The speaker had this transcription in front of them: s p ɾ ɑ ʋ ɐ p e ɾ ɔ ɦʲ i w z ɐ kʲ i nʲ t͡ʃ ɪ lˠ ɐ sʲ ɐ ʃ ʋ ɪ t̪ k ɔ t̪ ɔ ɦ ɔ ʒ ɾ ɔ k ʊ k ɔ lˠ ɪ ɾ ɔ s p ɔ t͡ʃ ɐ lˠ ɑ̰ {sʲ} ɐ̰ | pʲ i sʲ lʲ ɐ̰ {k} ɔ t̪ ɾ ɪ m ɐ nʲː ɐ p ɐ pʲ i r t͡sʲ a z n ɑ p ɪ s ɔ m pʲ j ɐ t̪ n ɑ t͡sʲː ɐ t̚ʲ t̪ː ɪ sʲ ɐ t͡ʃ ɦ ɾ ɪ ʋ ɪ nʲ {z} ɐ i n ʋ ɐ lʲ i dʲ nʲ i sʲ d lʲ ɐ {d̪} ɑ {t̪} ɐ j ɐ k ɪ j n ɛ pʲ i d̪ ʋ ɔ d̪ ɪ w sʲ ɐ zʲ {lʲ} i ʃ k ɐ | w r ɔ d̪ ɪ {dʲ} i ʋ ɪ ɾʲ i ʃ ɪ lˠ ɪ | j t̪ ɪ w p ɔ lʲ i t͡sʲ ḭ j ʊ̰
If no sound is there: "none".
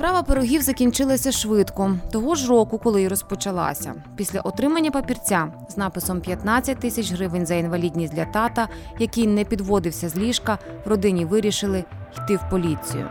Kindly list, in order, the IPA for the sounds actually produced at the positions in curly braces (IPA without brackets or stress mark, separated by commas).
sʲ, ʔ, z, t̪, t̪, lʲ, nʲ